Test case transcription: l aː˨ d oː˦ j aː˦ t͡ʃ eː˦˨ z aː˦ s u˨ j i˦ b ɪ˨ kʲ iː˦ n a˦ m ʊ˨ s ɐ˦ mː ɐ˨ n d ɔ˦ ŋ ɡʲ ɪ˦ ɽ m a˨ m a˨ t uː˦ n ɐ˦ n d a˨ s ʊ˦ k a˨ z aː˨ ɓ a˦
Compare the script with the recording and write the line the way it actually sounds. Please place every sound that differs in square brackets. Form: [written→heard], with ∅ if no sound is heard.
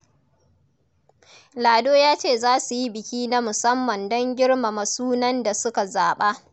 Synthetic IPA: l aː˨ d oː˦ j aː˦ t͡ʃ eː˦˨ z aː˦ s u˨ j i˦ b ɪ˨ kʲ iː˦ n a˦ m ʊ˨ s ɐ˦ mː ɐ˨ n d ɔ˦ ŋ ɡʲ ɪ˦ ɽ m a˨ m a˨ [t→s] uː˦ n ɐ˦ n d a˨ s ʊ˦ k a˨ z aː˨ ɓ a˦